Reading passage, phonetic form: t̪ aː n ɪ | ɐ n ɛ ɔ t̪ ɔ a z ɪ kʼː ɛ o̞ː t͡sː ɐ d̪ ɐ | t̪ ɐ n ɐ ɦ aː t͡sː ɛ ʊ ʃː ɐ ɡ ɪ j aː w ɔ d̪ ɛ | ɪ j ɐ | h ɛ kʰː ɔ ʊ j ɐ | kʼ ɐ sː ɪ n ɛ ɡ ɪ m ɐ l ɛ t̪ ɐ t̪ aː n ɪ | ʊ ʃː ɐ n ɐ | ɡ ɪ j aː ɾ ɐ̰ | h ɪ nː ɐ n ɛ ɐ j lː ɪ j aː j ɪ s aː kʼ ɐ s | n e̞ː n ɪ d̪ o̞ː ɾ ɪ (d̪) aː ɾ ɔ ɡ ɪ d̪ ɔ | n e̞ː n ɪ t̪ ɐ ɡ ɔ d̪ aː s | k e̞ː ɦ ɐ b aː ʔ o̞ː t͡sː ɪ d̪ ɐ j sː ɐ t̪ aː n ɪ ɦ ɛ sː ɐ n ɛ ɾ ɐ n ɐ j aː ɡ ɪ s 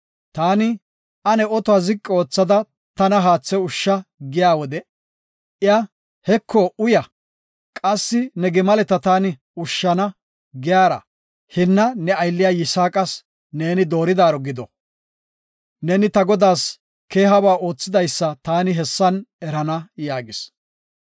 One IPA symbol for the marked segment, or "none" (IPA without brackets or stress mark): d̪